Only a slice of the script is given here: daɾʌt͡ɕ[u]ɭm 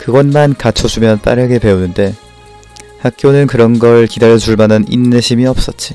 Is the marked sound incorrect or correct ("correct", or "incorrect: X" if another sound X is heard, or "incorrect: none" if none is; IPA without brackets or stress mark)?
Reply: correct